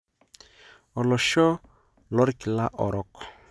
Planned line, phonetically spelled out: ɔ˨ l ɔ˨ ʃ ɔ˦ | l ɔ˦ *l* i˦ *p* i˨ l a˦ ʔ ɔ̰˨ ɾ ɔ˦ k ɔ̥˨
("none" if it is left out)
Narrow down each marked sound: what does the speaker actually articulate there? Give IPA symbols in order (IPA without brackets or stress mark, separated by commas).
ɾ, k